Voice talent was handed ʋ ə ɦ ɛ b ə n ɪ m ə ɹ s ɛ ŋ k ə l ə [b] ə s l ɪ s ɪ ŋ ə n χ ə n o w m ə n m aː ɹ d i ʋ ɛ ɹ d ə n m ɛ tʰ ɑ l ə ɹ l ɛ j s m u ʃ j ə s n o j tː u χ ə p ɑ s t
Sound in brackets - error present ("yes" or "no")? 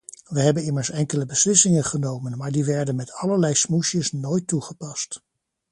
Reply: no